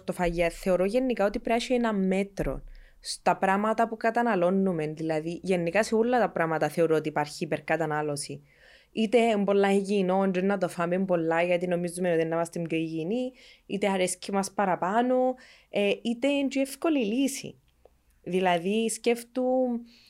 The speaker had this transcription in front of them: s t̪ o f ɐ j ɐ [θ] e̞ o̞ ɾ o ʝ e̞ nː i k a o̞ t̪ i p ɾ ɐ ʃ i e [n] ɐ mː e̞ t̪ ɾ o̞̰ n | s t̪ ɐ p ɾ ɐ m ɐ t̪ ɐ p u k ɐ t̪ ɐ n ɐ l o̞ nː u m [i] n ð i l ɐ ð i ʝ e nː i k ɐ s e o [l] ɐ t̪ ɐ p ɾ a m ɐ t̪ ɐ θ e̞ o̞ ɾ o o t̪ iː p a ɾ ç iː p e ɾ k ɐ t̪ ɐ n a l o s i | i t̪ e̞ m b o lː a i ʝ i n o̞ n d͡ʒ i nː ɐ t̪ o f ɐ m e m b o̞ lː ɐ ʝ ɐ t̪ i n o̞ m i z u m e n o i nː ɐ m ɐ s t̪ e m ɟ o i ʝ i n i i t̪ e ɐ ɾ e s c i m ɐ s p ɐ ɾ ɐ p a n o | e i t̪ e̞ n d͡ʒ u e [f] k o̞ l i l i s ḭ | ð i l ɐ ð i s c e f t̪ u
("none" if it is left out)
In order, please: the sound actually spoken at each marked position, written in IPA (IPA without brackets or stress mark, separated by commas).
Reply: θ, n, e, lː, f